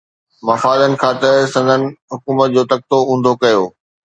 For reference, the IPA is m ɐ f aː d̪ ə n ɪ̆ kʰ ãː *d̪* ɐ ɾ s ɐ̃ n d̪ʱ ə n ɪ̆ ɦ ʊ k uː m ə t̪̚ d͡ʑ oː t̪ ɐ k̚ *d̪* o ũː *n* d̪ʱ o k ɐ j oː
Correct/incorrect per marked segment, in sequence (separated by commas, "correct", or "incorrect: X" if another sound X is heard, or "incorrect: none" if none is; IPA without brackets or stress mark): incorrect: t̪, incorrect: t̪, correct